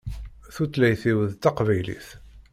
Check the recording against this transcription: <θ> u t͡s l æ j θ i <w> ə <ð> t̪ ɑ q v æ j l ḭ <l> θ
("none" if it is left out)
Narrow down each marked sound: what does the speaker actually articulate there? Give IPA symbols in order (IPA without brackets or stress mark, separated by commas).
θ, w, ð, none